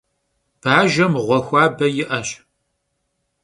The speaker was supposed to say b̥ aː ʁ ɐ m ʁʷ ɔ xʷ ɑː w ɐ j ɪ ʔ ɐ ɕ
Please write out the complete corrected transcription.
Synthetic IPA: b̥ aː ʒ ɐ m ʁʷ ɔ xʷ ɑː b ɐ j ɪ ʔ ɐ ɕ